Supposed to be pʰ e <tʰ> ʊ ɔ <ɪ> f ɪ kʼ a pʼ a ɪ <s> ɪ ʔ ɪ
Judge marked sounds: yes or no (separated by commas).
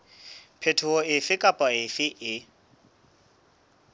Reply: yes, yes, no